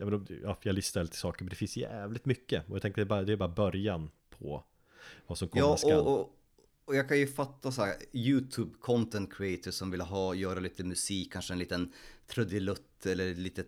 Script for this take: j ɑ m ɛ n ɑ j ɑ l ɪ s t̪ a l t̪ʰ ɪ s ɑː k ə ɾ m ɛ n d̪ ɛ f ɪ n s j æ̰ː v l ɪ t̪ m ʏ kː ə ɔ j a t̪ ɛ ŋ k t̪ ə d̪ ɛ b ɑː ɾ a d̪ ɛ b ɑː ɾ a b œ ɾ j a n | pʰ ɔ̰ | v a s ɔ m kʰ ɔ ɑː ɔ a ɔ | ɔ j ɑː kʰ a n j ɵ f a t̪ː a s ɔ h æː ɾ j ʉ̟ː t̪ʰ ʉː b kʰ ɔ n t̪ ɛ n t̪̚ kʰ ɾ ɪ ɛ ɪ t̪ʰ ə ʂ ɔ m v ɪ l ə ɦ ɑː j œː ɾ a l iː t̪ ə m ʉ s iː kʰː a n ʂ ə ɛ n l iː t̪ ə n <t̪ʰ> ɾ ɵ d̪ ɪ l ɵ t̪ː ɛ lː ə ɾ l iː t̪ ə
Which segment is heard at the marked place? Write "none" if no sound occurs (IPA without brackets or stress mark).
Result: t̪ʰ